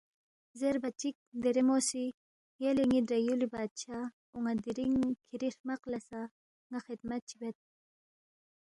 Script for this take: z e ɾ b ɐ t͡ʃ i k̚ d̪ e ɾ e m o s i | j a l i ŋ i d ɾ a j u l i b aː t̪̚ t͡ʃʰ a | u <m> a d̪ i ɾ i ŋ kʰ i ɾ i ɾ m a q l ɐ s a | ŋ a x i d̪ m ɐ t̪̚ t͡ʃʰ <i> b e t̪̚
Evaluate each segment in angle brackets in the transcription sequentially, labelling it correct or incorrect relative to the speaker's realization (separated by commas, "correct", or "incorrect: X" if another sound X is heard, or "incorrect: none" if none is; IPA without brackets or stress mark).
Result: incorrect: ŋ, correct